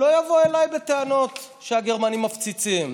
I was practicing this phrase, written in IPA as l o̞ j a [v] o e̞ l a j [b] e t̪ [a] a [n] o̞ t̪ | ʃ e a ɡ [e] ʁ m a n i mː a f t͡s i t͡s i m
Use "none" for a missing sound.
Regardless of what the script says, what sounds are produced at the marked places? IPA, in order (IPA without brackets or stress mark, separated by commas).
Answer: v, b, e, n, e